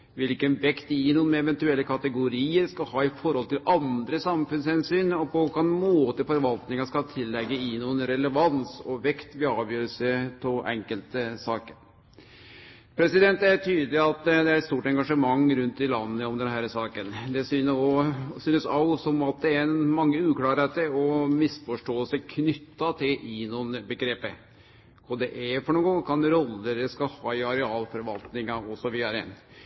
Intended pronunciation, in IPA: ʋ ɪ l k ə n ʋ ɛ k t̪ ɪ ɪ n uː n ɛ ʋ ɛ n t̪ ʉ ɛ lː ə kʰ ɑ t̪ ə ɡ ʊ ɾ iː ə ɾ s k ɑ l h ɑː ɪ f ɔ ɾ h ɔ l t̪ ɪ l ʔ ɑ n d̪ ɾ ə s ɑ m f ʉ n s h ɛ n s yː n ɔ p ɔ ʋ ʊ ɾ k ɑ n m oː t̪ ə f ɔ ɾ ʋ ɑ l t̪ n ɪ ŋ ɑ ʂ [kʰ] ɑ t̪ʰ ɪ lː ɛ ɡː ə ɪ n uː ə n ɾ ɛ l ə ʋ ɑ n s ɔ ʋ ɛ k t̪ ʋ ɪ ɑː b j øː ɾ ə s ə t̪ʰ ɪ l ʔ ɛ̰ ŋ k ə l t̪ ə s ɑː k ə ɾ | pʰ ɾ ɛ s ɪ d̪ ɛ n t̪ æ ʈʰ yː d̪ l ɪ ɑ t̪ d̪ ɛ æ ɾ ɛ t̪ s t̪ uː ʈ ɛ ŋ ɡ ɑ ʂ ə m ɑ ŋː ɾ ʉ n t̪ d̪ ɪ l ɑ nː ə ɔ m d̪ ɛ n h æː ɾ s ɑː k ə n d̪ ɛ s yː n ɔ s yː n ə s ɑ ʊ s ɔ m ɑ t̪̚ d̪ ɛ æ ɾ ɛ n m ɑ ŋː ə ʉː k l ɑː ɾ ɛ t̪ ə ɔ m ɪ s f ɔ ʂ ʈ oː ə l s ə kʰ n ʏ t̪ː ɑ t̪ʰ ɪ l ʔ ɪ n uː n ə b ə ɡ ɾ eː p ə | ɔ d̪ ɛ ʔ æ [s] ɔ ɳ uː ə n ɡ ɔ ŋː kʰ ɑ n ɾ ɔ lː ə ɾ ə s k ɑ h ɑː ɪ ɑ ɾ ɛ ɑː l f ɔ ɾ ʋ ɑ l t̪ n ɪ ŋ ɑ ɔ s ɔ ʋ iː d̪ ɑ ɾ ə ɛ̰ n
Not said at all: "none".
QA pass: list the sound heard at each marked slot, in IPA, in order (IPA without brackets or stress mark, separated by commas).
k, f